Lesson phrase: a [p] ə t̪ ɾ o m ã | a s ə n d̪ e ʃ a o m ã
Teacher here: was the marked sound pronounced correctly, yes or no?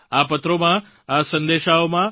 yes